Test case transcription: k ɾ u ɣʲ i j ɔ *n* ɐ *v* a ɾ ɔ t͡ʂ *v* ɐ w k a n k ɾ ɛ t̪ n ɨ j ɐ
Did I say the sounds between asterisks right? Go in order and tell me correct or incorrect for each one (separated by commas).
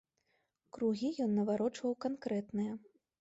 incorrect, correct, correct